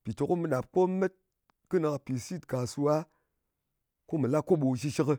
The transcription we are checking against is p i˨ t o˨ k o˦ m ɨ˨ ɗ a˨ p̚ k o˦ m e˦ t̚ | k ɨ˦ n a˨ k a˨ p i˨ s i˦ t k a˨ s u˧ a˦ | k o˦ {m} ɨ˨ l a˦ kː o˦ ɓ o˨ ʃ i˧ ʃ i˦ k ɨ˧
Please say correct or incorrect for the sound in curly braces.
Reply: correct